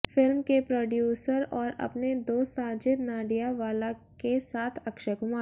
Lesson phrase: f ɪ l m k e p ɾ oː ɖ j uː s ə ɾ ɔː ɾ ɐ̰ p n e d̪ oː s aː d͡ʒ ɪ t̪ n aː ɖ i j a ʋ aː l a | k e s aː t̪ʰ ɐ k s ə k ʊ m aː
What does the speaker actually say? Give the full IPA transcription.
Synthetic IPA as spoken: f ɪ l m k e p ɾ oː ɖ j uː s ə ɾ ɔː ɾ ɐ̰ p n e d̪ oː s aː d͡ʒ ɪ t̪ n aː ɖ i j a ʋ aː l a | k e s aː t̪ʰ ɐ k ʃ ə k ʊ m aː